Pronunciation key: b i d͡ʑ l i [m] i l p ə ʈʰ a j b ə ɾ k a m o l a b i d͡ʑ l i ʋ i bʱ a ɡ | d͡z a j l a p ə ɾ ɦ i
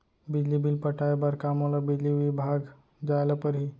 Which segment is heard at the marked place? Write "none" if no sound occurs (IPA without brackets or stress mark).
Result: b